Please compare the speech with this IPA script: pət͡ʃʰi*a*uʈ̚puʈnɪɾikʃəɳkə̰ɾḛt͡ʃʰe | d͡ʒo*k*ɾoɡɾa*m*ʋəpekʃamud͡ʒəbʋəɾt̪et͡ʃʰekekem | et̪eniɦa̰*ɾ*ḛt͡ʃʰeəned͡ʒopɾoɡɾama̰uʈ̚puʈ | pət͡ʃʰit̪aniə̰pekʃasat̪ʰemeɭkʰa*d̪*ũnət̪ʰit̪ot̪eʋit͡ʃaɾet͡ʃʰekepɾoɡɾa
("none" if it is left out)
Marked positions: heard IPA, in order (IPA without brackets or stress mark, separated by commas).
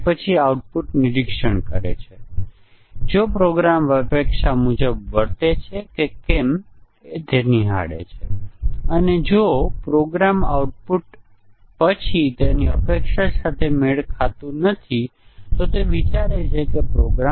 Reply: a, p, m, ɽ, t̪